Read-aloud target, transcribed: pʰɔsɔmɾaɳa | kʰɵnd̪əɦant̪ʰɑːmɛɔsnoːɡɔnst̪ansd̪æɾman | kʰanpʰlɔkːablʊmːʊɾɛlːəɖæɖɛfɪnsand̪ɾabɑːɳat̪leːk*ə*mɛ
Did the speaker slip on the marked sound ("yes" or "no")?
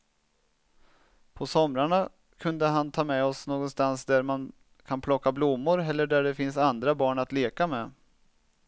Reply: yes